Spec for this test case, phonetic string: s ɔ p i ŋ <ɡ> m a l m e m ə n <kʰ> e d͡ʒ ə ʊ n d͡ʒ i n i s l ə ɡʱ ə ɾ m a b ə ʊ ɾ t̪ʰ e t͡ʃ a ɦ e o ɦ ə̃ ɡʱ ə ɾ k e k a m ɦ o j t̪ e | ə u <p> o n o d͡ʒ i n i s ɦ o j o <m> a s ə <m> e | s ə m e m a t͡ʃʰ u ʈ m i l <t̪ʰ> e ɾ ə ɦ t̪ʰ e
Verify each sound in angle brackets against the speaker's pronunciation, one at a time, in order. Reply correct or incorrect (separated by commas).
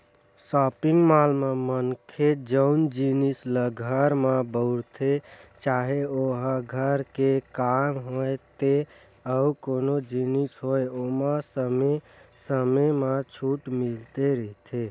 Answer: correct, correct, incorrect, correct, correct, incorrect